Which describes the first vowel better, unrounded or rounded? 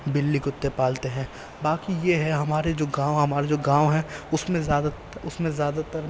unrounded